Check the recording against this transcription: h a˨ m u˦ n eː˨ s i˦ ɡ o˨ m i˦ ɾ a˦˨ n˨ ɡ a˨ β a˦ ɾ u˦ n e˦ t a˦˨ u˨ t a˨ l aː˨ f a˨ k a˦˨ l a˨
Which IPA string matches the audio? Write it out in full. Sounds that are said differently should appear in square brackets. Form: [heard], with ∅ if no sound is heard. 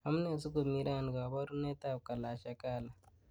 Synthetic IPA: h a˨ m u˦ n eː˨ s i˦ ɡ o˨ m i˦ ɾ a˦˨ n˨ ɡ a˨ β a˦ ɾ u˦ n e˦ t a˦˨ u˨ [k] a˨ l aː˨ [ʃ] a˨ k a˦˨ l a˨